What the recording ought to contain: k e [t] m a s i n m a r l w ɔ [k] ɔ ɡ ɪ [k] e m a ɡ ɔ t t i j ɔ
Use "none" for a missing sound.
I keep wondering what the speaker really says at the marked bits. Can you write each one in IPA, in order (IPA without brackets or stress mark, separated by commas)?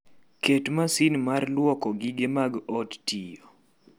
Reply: t, k, ɡ